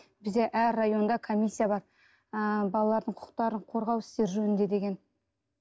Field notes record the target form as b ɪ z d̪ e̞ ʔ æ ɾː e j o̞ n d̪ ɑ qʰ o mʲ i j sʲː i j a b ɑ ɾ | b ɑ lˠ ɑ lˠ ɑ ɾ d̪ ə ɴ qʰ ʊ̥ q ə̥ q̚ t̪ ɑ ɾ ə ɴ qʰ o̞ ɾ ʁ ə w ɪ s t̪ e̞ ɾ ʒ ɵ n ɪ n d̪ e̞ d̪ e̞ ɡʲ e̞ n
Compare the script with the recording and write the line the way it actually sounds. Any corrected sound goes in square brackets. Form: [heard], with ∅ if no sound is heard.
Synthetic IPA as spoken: b ɪ z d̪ e̞ ʔ æ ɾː [a] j o̞ n d̪ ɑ [kʰ] o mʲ i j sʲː i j a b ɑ ɾ | b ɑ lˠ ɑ lˠ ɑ ɾ d̪ ə ɴ qʰ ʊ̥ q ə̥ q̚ t̪ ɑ ɾ ə ɴ qʰ o̞ ɾ ʁ [ɑ] w ɪ s t̪ e̞ ɾ ʒ ɵ n ɪ n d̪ e̞ d̪ e̞ ɡʲ e̞ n